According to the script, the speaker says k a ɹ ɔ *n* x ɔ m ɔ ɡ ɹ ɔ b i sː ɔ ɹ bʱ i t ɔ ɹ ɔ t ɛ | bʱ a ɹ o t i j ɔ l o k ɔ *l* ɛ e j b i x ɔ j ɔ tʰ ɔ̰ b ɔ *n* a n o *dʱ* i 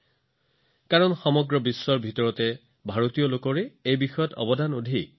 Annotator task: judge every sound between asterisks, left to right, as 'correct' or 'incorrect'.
correct, incorrect: ɹ, incorrect: d, correct

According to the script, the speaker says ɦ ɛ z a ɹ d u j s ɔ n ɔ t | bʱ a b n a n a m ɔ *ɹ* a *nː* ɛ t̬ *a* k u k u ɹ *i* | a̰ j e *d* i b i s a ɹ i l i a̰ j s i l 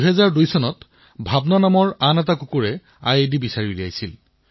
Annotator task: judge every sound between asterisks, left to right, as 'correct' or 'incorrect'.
correct, incorrect: n, correct, incorrect: ɛ, correct

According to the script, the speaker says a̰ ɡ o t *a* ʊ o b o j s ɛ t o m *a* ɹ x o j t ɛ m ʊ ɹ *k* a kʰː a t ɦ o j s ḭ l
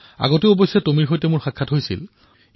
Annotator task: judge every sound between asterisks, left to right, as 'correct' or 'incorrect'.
incorrect: e, incorrect: i, incorrect: x

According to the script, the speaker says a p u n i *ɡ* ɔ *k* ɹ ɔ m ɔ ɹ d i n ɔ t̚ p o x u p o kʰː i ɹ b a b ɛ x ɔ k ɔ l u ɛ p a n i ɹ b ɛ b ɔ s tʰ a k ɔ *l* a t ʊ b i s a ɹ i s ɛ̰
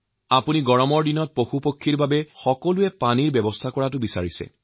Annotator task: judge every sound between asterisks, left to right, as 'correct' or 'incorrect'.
correct, incorrect: none, incorrect: ɹ

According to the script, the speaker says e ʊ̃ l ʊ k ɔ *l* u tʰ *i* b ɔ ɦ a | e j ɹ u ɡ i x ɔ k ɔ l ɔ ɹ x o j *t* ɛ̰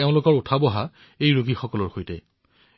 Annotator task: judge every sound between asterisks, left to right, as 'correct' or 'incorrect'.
incorrect: ɹ, incorrect: a, correct

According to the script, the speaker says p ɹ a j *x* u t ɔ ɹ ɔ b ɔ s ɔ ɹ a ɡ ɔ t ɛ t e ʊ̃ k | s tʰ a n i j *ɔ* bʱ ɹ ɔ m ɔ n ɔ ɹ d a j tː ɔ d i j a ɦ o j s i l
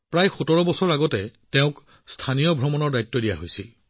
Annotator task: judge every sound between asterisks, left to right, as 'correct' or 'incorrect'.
correct, correct

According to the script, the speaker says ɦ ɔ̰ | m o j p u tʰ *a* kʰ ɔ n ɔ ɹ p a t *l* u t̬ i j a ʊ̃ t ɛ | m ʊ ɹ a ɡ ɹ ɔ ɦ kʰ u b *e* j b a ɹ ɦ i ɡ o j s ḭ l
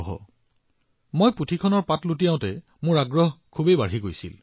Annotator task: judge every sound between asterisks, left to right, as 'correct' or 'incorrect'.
incorrect: i, correct, correct

